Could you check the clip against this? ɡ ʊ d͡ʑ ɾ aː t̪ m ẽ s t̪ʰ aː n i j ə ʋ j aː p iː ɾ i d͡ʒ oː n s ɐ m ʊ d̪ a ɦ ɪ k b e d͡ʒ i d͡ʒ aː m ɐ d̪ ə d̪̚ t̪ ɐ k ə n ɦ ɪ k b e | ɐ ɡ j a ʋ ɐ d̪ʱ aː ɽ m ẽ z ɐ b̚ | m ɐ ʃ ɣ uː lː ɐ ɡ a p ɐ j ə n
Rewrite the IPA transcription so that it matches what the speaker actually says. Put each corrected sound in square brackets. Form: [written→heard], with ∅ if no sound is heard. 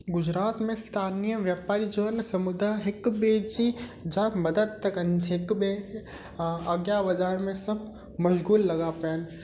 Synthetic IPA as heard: ɡ ʊ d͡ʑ ɾ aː t̪ m ẽ s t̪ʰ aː n i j ə ʋ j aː p [iː→aː] ɾ i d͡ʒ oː n s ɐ m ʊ d̪ a ɦ ɪ k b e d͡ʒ i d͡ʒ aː m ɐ d̪ ə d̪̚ t̪ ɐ k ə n ɦ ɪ k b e | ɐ ɡ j a ʋ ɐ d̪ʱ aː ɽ m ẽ [z→s] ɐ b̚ | m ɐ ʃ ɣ uː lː ɐ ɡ a p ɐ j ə n